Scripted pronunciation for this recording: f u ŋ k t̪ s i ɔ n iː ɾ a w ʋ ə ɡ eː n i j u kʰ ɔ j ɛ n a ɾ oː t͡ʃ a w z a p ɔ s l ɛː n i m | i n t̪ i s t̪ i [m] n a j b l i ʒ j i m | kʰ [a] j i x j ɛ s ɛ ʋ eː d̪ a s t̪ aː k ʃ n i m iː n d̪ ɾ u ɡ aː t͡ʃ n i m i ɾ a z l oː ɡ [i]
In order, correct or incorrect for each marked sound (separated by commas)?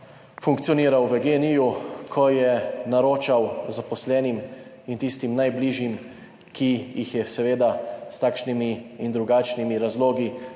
correct, incorrect, correct